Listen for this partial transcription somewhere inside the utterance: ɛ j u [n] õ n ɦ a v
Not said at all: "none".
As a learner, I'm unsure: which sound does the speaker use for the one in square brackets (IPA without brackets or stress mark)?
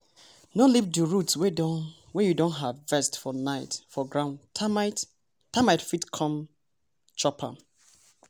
d